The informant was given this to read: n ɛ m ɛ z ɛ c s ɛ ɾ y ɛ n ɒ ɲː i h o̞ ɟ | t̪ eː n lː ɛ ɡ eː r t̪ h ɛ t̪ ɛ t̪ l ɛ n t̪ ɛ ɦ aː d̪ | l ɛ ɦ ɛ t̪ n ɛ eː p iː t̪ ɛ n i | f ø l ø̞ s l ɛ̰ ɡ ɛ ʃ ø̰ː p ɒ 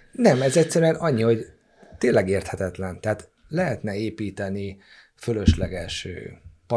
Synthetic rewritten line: n ɛ m ɛ z ɛ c s ɛ ɾ y ɛ n ɒ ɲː i h o̞ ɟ | t̪ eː n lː ɛ ɡ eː r t̪ h ɛ t̪ ɛ t̪ l ɛ n t̪ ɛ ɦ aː t̪ | l ɛ ɦ ɛ t̪ n ɛ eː p iː t̪ ɛ n i | f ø l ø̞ ʃ l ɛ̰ ɡ ɛ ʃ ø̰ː p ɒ